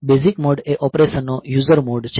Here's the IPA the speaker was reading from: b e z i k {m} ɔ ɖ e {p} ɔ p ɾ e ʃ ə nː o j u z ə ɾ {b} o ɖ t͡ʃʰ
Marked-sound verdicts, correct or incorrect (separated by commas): correct, incorrect, incorrect